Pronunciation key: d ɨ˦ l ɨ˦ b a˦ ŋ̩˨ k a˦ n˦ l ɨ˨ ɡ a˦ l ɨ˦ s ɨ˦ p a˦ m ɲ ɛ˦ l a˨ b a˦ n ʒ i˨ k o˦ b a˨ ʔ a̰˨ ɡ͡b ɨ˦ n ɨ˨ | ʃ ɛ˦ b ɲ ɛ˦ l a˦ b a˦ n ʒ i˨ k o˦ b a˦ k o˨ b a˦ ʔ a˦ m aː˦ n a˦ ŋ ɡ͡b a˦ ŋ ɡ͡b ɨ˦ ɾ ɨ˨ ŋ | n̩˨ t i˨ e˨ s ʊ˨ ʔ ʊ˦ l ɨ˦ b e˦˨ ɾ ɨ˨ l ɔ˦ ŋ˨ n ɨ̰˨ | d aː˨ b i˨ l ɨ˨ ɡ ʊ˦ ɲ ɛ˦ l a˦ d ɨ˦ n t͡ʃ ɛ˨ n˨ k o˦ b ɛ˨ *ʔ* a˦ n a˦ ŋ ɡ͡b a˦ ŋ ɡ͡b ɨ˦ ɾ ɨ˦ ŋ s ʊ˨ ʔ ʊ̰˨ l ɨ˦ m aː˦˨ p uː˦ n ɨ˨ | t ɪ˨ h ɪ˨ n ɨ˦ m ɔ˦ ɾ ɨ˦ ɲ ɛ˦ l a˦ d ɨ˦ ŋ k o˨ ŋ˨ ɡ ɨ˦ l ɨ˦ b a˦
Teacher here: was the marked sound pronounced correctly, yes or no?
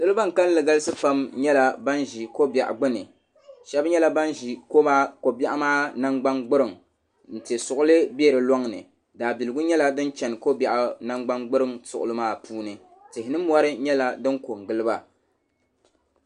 yes